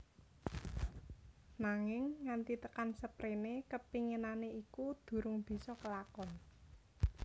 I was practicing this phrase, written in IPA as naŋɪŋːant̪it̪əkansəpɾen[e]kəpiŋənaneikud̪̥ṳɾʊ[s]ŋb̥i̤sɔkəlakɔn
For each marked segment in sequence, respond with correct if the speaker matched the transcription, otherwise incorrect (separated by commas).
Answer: correct, incorrect